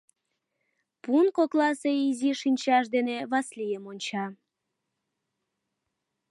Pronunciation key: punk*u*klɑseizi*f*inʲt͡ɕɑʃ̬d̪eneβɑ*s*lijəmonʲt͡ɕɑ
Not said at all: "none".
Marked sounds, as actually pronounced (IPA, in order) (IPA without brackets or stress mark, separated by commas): o, ʃ, s